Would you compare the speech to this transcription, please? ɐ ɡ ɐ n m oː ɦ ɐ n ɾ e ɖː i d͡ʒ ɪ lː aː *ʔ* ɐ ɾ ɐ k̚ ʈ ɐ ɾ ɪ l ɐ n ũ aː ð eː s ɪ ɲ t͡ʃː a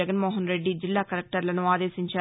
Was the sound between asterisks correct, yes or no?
no